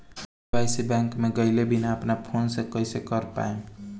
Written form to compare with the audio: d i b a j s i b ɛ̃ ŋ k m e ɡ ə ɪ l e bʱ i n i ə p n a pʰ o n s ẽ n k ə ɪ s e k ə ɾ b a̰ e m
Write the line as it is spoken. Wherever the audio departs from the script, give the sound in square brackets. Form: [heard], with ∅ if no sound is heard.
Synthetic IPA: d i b a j s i b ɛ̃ ŋ k m e ɡ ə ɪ l e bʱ i n [a] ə p n a pʰ o n s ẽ [∅] k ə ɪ s e k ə ɾ [p] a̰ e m